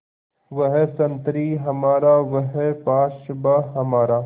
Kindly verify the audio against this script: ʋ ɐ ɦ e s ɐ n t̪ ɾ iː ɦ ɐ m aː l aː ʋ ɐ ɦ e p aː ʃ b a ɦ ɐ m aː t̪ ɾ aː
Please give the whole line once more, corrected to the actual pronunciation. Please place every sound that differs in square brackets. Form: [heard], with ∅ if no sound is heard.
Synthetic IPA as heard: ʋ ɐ ɦ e s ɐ n t̪ ɾ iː ɦ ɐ m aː [ɾ] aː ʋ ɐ ɦ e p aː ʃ b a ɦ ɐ m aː [∅] ɾ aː